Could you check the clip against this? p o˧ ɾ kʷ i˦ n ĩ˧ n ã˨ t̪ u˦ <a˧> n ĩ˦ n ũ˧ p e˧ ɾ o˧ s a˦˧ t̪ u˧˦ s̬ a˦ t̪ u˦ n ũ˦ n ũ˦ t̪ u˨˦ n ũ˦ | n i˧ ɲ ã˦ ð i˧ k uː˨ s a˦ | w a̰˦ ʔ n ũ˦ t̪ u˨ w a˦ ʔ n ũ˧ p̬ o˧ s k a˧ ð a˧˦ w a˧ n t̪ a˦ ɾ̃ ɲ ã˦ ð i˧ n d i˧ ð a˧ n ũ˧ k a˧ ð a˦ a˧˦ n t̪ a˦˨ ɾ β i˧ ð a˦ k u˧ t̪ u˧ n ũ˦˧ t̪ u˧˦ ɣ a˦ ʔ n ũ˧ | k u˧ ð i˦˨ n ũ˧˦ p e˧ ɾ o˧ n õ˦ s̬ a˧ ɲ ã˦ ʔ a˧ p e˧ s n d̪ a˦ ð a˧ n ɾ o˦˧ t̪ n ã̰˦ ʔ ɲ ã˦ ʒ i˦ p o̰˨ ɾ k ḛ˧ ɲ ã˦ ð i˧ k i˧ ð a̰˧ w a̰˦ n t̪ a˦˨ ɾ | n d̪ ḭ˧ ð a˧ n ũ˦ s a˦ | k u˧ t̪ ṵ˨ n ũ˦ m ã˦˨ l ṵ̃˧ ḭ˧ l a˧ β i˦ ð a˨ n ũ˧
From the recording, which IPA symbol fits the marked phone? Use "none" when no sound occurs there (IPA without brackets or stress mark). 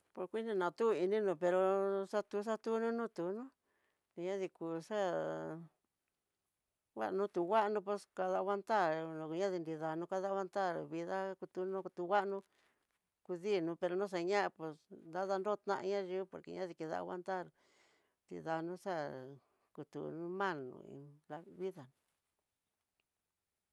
i˧